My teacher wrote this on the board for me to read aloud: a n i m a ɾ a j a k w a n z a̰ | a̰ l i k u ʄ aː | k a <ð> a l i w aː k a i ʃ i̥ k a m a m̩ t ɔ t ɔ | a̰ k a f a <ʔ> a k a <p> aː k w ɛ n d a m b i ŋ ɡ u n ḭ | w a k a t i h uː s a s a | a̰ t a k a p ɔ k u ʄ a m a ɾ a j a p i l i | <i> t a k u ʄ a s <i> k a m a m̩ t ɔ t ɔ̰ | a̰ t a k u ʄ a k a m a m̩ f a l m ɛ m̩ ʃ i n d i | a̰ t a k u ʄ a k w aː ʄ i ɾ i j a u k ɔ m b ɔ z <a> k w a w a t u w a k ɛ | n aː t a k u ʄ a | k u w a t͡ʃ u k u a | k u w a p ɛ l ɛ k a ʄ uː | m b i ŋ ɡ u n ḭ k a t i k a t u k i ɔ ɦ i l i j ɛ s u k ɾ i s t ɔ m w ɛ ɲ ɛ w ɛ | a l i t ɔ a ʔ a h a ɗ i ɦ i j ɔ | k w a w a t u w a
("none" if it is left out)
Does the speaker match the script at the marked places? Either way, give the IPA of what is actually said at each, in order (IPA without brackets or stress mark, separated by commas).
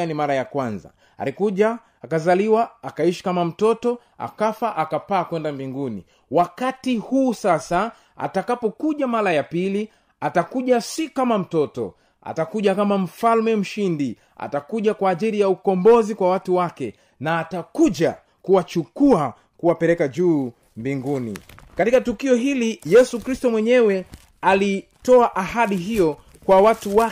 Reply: z, ʔ, p, a, i, i